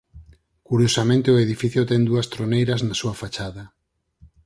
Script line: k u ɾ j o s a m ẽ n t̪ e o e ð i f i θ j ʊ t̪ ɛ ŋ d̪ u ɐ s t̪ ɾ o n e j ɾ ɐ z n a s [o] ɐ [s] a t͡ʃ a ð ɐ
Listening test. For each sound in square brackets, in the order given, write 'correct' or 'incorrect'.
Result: incorrect, incorrect

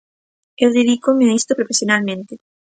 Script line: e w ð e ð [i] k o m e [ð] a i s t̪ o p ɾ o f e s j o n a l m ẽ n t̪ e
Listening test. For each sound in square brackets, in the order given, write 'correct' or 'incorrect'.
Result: correct, incorrect

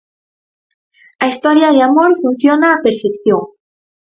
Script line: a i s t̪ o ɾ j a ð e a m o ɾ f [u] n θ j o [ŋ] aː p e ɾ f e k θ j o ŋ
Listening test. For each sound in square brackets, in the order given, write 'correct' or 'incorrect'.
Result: correct, incorrect

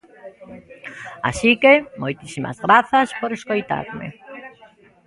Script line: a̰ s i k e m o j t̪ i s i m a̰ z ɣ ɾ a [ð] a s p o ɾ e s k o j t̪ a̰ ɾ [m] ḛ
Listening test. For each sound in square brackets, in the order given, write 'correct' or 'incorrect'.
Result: incorrect, correct

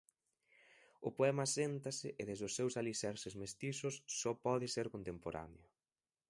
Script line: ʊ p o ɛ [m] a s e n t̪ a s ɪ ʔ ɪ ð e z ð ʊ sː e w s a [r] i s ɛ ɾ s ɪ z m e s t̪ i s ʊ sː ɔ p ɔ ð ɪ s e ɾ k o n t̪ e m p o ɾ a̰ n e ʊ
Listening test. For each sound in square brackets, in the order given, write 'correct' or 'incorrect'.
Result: correct, incorrect

